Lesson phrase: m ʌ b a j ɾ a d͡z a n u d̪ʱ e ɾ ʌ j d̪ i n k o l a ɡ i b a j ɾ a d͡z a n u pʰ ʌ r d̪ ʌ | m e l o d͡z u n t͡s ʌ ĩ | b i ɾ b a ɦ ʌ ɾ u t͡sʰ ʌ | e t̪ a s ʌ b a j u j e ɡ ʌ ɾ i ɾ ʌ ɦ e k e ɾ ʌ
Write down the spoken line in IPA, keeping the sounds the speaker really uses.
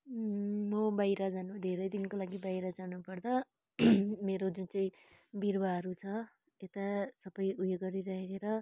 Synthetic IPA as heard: m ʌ b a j ɾ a d͡z a n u d̪ʱ e ɾ ʌ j d̪ i n k o l a ɡ i b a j ɾ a d͡z a n u p ʌ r d̪ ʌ | m e ɾ o d͡z u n t͡s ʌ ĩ | b i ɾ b a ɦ ʌ ɾ u t͡sʰ ʌ | e t̪ a s ʌ b ʌ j u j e ɡ ʌ ɾ i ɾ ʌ ɦ e k e ɾ ʌ

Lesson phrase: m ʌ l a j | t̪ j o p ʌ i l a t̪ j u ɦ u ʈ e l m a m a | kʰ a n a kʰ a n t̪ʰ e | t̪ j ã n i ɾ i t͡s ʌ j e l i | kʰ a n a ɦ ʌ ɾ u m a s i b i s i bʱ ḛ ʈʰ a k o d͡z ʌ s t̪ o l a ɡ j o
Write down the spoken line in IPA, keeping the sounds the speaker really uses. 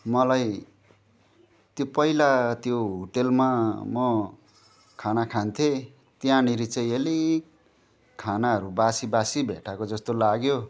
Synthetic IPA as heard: m ʌ l a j | t̪ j o p ʌ i l a t̪ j o ɦ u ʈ e l m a m ʌ | kʰ a n a kʰ a n t̪ʰ e | t̪ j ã n i ɾ i t͡s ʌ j e l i | kʰ a n a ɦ ʌ ɾ u b a s i b a s i bʱ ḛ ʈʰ a k o d͡z ʌ s t̪ o l a ɡ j o

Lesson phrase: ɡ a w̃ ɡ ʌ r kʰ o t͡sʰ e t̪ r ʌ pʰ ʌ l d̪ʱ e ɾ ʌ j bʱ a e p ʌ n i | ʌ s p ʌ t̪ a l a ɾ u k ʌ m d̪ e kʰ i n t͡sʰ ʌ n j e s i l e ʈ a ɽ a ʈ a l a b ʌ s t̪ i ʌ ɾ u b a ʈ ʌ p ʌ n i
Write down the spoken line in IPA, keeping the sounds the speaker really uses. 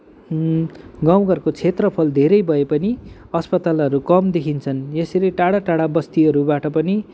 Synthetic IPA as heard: ɡ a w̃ ɡ ʌ r k o t͡sʰ e t̪ r ʌ pʰ ʌ l d̪ʱ e ɾ ʌ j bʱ ʌ e p ʌ n i | ʌ s p ʌ t̪ a l ʌ ɾ u k ʌ m d̪ e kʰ i n t͡sʰ ʌ n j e s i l e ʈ a ɽ a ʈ a ɽ a b ʌ s t̪ i ʌ ɾ u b a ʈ ʌ p ʌ n i

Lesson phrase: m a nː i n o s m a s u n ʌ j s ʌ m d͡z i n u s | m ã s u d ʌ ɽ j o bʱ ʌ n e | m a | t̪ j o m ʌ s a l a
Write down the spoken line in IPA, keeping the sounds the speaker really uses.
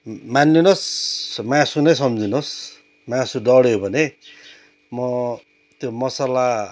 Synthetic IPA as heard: m a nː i n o s m a s u n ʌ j s ʌ m d͡z i n o s | m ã s u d ʌ ɽ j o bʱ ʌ n e | m ʌ | t̪ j o m ʌ s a l a

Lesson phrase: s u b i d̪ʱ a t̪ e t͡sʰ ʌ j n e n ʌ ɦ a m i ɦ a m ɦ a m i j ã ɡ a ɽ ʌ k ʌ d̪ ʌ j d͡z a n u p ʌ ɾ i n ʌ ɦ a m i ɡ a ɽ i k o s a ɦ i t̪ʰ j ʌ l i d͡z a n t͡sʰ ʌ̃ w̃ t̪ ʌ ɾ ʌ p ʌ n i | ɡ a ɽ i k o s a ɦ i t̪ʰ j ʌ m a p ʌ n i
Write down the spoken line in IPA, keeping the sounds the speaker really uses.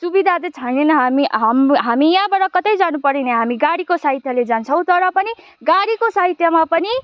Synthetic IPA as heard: s u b i d̪ʱ a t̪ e t͡sʰ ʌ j n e n ʌ ɦ a m i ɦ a m ɦ a m i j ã b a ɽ ʌ k ʌ t̪ ʌ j d͡z a n u p ʌ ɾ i n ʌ ɦ a m i ɡ a ɽ i k o s a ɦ i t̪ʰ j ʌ l e d͡z a n t͡sʰ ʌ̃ w̃ t̪ ʌ ɾ ʌ p ʌ n i | ɡ a ɽ i k o s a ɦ i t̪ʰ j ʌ m a p ʌ n i

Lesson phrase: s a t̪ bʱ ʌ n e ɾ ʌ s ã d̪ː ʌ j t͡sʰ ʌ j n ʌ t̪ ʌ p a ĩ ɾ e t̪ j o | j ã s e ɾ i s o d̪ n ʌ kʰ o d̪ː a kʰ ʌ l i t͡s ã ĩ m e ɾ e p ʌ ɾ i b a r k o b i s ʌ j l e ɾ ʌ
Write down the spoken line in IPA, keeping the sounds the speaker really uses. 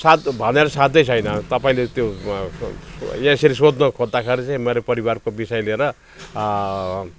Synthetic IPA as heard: s a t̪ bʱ ʌ n e ɾ ʌ s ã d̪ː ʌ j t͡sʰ ʌ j n ʌ t̪ ʌ p a ĩ l e t̪ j o | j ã s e ɾ i s o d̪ n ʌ kʰ o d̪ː a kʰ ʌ ɾ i t͡s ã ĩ m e ɾ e p ʌ ɾ i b a r k o b i s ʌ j l e ɾ ʌ

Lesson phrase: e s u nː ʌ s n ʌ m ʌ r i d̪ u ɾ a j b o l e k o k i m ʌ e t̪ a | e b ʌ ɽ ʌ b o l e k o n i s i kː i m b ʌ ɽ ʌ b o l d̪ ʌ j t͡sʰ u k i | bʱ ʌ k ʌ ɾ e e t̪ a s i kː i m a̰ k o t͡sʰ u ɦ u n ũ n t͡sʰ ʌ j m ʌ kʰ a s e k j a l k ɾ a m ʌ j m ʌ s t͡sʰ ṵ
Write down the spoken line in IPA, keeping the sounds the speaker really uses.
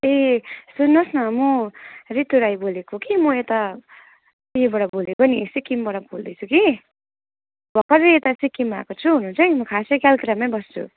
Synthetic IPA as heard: e s u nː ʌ s n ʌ m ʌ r i t̪ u ɾ a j b o l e k o k i m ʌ e t̪ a | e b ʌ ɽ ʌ b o l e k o n i s i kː i m b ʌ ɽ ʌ b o l d̪ ʌ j t͡sʰ u k i | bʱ ʌ k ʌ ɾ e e t̪ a s i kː i m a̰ k o t͡sʰ u ɦ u n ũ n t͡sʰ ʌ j m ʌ kʰ a s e k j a l k ɾ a m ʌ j b ʌ s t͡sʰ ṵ

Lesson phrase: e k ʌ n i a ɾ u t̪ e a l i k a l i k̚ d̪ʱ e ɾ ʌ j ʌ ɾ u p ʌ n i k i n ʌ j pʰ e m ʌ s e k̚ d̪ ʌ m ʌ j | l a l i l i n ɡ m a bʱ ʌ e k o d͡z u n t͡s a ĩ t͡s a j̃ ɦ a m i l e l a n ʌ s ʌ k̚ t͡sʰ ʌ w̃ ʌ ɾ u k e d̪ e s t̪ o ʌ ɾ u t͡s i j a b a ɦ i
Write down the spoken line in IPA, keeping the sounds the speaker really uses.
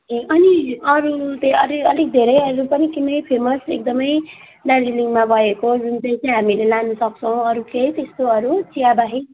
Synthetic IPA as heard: e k ʌ n i ʌ ɾ u t̪ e ʌ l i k ʌ l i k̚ d̪ʱ e ɾ ʌ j ʌ ɾ u p ʌ n i k i n ʌ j pʰ e m ʌ s e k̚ d̪ ʌ m ʌ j | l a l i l i ŋ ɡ m a bʱ ʌ e k o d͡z u n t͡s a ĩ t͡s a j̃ ɦ a m i l e l a n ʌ s ʌ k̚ t͡sʰ ʌ w̃ ʌ ɾ u k e t̪ e s t̪ o ʌ ɾ u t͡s i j a b a ɦ i

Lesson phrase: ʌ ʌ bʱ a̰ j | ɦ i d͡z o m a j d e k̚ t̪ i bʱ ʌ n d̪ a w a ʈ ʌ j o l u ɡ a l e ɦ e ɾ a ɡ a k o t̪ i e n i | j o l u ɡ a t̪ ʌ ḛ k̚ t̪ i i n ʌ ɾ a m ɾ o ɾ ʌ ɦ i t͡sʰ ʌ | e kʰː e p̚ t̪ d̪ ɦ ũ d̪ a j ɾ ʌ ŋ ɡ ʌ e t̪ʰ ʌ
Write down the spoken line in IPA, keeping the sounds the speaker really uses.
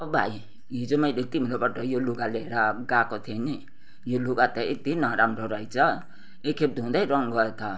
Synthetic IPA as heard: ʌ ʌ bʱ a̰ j | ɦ i d͡z o m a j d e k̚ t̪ i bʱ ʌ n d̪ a b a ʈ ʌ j o l u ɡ a l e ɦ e ɾ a ɡ a k o t̪ʰ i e n i | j o l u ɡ a t̪ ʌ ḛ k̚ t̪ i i n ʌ ɾ a m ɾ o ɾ ʌ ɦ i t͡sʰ ʌ | e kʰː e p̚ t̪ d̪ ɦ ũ d̪ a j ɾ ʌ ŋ ɡ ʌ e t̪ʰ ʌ

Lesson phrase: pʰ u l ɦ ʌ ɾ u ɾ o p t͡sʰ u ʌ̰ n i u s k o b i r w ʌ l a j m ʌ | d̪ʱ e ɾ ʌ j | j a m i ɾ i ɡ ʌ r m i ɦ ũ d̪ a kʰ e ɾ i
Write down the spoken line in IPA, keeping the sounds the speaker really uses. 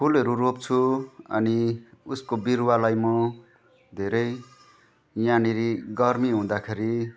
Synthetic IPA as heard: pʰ u l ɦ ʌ ɾ u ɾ o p t͡sʰ u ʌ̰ n i u s k o b i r w a l a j m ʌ | d̪ʱ e ɾ ʌ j | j a n i ɾ i ɡ ʌ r m i ɦ ũ d̪ a kʰ e ɾ i

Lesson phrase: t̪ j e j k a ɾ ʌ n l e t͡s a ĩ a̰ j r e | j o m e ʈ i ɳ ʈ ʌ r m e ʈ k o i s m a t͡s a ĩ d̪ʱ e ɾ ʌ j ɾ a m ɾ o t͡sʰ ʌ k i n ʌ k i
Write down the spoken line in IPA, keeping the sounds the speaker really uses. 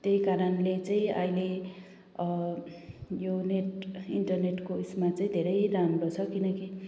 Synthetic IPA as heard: t̪ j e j k a ɾ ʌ n l e t͡s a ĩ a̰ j l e | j o n e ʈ i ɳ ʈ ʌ r n e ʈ k o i s m a t͡s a ĩ d̪ʱ e ɾ ʌ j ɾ a m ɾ o t͡sʰ ʌ k i n ʌ k i

